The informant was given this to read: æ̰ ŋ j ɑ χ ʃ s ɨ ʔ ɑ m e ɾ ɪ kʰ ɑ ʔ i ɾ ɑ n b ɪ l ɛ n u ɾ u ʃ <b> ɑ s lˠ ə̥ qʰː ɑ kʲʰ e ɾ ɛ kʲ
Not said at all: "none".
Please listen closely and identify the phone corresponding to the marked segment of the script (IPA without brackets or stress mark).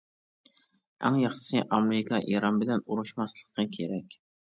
m